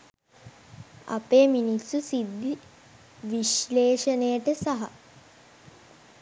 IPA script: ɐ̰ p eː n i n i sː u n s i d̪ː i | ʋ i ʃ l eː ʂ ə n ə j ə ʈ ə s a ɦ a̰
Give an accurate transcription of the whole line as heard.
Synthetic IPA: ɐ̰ p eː m i n i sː u s i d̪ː i | ʋ i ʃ l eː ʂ ə n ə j ə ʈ ə s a ɦ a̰